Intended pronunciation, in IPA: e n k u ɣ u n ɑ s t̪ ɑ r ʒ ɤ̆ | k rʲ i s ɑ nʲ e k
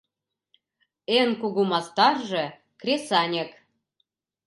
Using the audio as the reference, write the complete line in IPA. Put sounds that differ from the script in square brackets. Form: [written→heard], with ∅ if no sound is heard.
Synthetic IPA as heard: e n k u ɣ u [n→m] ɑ s t̪ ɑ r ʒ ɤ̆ | k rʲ [i→e] s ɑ nʲ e k